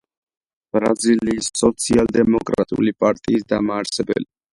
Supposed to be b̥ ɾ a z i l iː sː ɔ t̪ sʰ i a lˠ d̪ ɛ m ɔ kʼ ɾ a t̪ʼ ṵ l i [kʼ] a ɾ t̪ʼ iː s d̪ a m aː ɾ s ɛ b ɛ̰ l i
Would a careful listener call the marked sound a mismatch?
yes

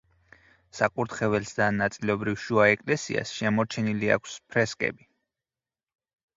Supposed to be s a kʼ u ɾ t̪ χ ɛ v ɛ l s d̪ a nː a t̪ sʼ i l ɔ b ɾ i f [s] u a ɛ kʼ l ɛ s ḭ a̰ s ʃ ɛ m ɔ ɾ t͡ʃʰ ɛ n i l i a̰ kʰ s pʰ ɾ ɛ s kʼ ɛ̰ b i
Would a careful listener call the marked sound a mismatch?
yes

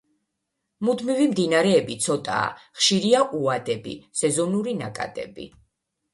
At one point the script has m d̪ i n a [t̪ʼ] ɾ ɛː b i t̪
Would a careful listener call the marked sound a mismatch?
yes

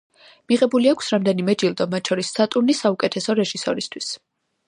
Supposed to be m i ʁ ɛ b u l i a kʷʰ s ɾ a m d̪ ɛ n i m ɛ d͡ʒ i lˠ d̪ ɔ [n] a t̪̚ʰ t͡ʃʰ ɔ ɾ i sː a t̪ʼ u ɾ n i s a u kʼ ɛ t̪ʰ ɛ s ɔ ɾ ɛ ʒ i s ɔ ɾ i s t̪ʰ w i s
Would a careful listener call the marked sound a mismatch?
yes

